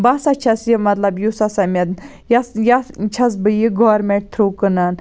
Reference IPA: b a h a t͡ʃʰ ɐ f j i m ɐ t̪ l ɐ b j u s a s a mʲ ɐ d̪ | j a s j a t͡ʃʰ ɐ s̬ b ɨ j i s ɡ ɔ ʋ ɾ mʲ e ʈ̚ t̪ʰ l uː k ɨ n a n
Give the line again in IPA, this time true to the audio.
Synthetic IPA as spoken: b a s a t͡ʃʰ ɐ s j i m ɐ t̪ l ɐ b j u s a s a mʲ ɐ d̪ | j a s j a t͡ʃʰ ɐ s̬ b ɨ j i ɡ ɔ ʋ ɾ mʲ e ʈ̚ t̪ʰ ɾ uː k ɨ n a n